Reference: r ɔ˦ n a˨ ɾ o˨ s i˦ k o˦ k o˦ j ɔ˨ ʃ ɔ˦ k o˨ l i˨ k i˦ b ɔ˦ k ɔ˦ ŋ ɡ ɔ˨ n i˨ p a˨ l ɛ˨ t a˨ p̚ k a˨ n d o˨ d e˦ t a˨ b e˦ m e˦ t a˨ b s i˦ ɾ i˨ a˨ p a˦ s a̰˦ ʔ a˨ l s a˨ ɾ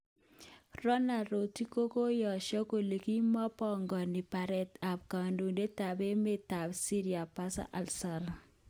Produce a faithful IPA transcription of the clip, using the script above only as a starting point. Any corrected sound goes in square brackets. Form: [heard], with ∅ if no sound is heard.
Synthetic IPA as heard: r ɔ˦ n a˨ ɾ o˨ [t] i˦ k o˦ k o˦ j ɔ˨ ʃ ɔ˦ k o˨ l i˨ k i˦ [m] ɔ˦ [p] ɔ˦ ŋ ɡ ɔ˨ n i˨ p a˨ [ɾ] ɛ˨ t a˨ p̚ k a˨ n d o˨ d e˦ t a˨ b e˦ m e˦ t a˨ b s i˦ ɾ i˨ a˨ p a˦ s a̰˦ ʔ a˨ l s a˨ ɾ